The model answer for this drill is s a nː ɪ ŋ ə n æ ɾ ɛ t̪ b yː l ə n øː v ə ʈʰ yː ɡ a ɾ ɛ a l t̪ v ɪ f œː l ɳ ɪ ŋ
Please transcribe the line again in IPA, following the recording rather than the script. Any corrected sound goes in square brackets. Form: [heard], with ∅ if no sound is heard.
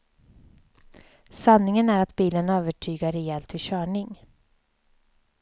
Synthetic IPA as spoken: s a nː ɪ ŋ ə n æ ɾ [a] t̪ b [iː] l ə n øː v ə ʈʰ yː ɡ a ɾ ɛ [ɛ] l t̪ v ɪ [ɕ] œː [∅] ɳ ɪ ŋ